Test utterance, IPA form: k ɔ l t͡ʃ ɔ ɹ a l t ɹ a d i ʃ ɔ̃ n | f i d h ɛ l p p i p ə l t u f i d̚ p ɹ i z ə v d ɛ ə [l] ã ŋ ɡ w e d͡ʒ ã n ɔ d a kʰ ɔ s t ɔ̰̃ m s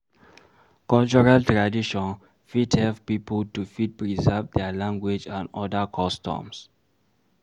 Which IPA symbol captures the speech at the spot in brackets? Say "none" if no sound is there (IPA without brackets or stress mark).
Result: l